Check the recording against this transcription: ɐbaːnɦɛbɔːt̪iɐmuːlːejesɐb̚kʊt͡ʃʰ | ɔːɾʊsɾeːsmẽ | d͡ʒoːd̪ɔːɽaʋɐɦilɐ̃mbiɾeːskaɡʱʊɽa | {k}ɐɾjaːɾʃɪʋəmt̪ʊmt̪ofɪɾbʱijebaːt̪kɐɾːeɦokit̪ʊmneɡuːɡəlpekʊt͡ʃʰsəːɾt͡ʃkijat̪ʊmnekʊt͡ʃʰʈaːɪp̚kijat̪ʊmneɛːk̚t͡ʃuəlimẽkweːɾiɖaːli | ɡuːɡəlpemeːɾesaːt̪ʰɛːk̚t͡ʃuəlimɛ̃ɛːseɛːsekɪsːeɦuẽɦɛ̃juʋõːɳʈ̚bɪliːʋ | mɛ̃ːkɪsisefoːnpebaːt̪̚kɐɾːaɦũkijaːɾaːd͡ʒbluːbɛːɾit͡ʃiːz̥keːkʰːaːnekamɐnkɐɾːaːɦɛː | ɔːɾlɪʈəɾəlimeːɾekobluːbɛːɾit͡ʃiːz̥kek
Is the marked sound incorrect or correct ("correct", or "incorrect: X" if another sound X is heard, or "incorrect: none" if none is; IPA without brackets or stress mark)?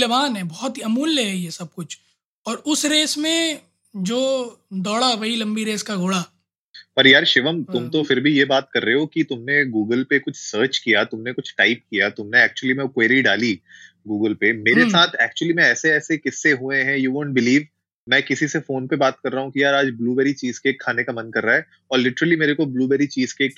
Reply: incorrect: p